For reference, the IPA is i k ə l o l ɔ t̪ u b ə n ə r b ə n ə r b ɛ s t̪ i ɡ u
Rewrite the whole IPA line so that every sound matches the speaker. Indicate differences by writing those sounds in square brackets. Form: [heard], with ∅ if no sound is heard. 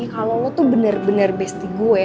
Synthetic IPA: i k [a] l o l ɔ t̪ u b ə n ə r b ə n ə r b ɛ s t̪ i ɡ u